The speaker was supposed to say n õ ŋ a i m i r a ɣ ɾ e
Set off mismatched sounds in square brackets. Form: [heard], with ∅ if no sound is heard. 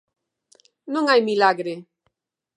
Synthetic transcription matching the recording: n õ ŋ a [j] m i [l] a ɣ ɾ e

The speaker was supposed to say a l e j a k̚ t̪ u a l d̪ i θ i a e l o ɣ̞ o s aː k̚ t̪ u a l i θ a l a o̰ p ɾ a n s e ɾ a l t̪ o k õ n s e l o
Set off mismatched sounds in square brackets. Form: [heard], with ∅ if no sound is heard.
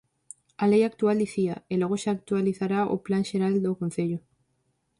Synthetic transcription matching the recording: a l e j a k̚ t̪ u a l d̪ i θ i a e l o ɣ̞ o [ʃ] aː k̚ t̪ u a l i θ a [ɾ] a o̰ p [l] a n [ʃ] e ɾ a l [d̪] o k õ n [θ] e [ʎ] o

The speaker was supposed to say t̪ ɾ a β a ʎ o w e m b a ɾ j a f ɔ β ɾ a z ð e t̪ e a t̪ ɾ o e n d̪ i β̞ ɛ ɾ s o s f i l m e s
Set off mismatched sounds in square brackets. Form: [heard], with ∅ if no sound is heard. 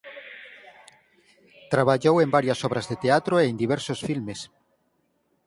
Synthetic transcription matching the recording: t̪ ɾ a β a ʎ o w e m b a ɾ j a [s] ɔ β ɾ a z ð e t̪ e a t̪ ɾ o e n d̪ i β̞ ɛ ɾ s o s f i l m e s

